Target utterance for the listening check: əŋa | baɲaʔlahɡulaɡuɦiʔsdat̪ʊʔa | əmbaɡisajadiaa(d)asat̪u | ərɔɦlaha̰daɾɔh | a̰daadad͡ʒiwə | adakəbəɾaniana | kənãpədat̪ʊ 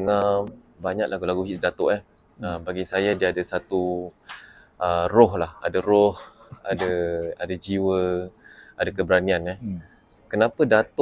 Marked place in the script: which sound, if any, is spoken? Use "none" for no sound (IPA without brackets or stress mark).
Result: d